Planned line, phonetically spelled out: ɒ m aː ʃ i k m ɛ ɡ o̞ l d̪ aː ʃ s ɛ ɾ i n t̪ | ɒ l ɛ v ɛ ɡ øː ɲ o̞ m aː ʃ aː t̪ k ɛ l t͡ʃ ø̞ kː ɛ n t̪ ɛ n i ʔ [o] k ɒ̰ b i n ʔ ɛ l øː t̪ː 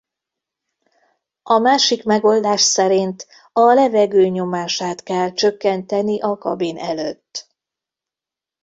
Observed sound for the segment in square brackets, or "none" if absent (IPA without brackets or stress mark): ɒ